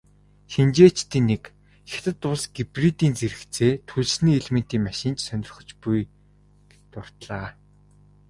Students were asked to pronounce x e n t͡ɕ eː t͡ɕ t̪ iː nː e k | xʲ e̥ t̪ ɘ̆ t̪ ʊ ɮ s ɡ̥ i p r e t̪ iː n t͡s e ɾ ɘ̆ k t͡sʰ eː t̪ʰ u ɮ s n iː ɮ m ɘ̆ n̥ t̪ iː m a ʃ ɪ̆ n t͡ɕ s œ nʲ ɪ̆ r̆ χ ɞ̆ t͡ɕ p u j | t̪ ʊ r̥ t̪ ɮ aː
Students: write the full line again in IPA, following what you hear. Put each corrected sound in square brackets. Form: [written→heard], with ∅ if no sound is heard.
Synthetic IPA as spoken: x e n t͡ɕ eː t͡ɕ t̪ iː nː e k | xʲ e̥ t̪ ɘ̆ t̪ ʊ ɮ s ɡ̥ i p r [e→i] t̪ iː n t͡s e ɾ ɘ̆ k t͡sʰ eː t̪ʰ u ɮ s n iː ɮ m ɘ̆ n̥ t̪ iː m a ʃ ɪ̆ n t͡ɕ s œ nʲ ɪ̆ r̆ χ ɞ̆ t͡ɕ p u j | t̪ ʊ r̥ t̪ ɮ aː